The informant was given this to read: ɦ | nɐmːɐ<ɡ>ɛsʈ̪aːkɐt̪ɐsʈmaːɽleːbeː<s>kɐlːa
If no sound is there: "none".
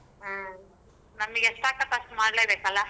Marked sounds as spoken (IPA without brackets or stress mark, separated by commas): ɡ, none